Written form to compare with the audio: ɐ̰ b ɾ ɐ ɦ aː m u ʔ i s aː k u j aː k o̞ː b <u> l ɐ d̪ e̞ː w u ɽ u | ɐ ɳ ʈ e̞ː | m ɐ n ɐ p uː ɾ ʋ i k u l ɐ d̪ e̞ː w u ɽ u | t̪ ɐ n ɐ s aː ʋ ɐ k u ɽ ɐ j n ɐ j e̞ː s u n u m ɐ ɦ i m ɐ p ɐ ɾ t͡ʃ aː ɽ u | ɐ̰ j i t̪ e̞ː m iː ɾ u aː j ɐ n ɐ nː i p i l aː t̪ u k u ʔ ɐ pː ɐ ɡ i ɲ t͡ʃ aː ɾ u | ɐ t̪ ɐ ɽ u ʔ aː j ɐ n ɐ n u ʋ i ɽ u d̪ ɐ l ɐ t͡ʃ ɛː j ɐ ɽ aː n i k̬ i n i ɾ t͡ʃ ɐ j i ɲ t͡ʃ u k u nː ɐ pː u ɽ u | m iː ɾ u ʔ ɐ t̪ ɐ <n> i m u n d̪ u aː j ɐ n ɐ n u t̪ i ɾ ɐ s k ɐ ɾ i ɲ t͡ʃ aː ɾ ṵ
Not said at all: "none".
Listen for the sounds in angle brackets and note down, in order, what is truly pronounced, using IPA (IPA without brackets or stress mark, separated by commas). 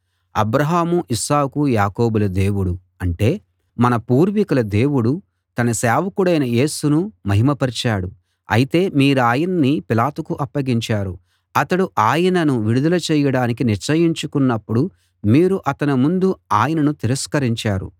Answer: u, n